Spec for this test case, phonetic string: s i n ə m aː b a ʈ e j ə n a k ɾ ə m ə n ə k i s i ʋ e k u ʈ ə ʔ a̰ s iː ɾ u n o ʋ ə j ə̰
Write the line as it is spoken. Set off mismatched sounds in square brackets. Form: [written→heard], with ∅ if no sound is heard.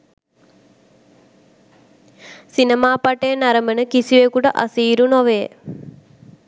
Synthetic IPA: s i n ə m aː [b→p] a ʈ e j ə n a [k→∅] ɾ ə m ə n ə k i s i ʋ e k u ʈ ə ʔ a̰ s iː ɾ u n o ʋ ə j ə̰

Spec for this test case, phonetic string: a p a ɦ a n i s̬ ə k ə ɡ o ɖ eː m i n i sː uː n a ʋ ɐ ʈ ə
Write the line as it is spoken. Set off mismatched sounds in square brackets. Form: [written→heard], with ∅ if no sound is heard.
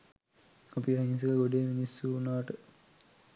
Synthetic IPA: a p [a→i] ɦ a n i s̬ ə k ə ɡ o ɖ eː m i n i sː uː n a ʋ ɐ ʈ ə

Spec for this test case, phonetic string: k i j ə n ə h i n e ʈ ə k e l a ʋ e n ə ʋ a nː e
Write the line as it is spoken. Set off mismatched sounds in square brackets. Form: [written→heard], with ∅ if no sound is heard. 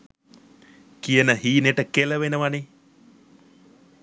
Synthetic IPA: k i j ə n ə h [i→iː] n e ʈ ə k e l [a→ə] ʋ e n ə ʋ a [nː→n] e

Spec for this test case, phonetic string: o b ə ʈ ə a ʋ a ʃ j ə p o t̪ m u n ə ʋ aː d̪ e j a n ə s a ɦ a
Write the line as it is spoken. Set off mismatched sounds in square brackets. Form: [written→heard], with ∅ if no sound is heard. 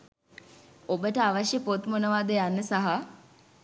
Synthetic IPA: o b ə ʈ ə a ʋ a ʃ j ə p o t̪ m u n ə ʋ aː d̪ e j a [n→nː] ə s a ɦ a

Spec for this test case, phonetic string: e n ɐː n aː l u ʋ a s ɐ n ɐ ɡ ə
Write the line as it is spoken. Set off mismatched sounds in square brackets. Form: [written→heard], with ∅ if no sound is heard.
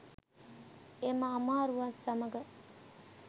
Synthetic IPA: e [n→m] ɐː [n→m] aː [l→ɾ] u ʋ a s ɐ [n→m] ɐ ɡ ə

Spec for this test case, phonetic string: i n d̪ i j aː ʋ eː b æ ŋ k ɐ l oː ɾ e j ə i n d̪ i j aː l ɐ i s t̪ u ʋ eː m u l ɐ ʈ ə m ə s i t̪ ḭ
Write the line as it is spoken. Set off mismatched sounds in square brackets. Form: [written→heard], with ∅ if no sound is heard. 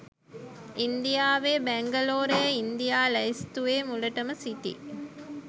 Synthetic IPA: i n d̪ i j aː ʋ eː b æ ŋ [k→ɡ] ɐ l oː ɾ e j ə i n d̪ i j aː l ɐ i s t̪ u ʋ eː m u l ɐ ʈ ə m ə s i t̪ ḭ

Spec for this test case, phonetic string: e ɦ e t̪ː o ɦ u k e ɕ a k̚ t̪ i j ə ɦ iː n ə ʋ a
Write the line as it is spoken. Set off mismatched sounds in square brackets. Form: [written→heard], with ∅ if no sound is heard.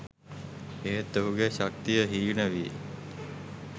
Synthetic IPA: e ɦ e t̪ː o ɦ u [k→ɡ] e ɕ a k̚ t̪ i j ə ɦ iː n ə ʋ [a→i]

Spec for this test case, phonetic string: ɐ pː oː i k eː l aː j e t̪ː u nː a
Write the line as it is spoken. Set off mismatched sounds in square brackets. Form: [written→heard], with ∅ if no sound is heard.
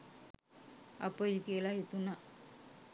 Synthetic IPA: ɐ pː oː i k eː l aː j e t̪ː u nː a

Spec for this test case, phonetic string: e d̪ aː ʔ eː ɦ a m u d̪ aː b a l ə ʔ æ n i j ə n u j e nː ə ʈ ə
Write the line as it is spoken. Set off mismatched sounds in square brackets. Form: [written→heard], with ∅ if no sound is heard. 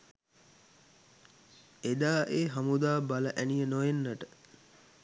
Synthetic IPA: e d̪ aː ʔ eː ɦ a m u d̪ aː b a l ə ʔ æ n i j ə n [u→o] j e nː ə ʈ ə

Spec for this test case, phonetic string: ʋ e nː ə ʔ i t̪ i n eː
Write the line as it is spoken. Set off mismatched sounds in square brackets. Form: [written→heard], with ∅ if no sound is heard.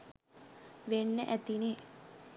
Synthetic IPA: ʋ e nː ə ʔ [i→æ] t̪ i n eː

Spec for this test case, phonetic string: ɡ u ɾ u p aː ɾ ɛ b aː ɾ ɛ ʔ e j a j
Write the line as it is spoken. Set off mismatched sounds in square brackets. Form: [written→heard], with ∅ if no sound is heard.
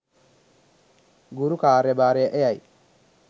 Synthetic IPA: ɡ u ɾ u [p→k] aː ɾ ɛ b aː ɾ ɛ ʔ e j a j

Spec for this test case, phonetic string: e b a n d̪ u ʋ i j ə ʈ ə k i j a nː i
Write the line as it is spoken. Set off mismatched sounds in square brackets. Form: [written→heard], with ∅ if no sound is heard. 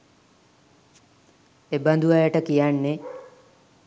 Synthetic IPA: e b a n d̪ u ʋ [i→a] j ə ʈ ə k i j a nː [i→e]

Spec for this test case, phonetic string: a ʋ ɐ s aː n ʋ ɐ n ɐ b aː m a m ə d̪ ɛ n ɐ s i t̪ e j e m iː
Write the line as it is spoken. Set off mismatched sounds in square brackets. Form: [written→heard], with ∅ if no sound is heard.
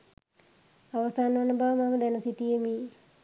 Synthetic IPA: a ʋ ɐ s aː n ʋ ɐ n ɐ b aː m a m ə d̪ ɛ n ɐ s i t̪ [e→i] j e m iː

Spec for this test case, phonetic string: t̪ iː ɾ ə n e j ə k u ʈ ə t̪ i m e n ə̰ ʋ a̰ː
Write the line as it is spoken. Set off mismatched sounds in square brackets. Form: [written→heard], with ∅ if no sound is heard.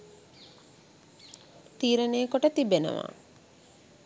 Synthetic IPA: t̪ iː ɾ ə n e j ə k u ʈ ə t̪ i [m→b] e n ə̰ ʋ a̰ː

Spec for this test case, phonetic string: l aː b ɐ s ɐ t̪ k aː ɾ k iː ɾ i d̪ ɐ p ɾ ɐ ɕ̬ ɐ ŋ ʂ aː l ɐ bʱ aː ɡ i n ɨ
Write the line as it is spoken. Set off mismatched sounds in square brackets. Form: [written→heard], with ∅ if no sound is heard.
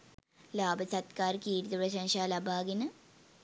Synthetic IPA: l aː b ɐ s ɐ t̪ k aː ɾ k iː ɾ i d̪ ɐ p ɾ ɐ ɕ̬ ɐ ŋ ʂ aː l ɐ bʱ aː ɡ i n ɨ

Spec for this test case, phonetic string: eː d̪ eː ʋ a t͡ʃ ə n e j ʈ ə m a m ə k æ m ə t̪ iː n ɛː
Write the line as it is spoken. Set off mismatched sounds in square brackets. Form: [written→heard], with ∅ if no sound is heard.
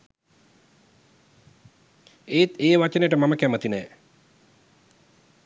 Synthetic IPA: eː [d̪→t̪] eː ʋ a t͡ʃ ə n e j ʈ ə m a m ə k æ m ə t̪ [iː→i] n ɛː

